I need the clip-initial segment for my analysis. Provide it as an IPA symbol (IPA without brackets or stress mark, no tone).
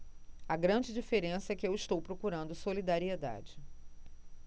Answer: ɐ